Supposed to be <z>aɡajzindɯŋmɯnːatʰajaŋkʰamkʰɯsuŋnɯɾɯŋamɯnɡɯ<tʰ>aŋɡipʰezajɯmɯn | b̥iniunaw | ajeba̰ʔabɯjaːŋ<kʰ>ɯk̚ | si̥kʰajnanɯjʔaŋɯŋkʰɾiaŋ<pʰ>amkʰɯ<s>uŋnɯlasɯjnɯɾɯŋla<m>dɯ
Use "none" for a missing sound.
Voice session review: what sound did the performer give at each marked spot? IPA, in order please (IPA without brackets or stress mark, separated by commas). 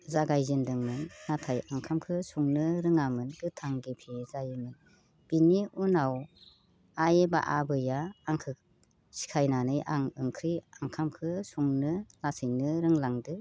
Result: z, tʰ, kʰ, kʰ, s, ŋ